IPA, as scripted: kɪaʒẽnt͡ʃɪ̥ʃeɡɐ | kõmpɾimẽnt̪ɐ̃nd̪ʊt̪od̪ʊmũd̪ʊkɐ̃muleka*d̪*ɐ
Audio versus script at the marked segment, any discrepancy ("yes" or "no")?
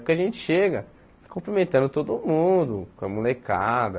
no